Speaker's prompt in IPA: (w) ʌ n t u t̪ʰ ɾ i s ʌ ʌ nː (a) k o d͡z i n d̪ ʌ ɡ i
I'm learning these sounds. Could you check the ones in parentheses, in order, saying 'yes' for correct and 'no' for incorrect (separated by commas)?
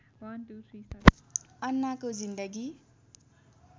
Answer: yes, yes